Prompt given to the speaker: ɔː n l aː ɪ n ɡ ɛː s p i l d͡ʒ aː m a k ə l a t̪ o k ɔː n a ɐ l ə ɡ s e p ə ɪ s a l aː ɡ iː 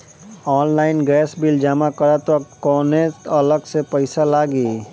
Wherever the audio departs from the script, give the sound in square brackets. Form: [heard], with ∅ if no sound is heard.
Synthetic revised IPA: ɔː n l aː ɪ n ɡ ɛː s [b] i l d͡ʒ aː m a k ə [ɾ] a t̪ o k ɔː n [e] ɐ l ə ɡ s e p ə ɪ s a l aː ɡ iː